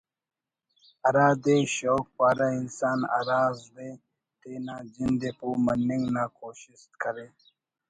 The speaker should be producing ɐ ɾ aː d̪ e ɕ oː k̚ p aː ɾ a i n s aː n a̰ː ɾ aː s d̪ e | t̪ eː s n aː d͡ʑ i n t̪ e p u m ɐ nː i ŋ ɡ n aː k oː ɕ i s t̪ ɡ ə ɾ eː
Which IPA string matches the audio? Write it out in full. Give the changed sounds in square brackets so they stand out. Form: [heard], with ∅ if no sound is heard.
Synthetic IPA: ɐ ɾ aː d̪ e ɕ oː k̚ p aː ɾ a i n s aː n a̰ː ɾ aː [z] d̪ e | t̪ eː [∅] n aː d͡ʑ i n [d̪] e p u m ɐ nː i ŋ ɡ n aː k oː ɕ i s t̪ [k] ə ɾ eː